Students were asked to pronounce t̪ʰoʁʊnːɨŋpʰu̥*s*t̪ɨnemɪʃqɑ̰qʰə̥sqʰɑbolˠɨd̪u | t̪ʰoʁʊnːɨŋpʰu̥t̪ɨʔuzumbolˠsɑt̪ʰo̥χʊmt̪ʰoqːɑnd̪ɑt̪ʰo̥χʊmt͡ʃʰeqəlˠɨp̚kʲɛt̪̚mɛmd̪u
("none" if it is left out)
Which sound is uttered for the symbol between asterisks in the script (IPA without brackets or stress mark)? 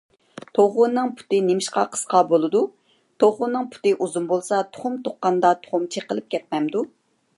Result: none